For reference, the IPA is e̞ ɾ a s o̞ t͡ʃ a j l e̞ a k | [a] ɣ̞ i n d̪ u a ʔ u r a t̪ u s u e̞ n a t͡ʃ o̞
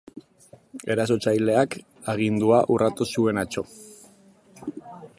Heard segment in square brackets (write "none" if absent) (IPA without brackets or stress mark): a